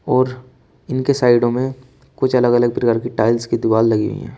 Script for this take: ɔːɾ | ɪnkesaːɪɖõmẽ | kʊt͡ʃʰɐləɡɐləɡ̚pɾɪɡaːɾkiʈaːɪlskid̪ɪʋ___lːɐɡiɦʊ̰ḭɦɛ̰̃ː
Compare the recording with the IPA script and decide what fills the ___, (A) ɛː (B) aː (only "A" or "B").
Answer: B